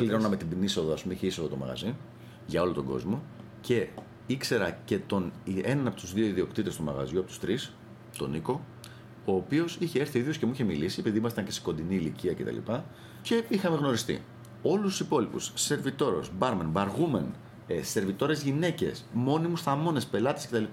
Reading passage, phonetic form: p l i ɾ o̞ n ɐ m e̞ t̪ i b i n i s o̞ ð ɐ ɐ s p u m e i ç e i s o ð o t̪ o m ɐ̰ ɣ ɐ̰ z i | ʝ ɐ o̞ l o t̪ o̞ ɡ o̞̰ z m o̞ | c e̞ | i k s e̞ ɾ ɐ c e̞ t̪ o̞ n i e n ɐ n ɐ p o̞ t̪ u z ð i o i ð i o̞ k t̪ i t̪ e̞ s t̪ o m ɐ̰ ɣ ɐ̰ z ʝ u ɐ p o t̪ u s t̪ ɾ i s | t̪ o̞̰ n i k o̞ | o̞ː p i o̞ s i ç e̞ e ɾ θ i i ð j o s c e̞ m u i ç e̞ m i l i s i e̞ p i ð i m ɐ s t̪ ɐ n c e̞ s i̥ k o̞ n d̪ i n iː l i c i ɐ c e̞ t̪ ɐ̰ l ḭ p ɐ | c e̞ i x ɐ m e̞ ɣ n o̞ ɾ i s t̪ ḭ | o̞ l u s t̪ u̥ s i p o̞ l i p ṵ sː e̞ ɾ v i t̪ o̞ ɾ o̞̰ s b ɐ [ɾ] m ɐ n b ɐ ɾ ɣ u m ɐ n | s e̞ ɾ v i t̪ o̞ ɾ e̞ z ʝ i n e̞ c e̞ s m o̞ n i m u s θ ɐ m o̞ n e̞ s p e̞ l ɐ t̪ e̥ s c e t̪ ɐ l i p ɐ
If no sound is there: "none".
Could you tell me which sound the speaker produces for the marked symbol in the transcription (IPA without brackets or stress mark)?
ɾ